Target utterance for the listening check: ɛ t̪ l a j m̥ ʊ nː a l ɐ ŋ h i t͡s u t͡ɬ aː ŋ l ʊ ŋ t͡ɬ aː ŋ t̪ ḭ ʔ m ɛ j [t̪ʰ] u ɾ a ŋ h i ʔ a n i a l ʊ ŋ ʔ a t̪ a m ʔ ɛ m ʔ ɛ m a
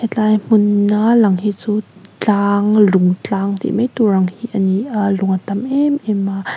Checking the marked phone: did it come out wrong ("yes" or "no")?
yes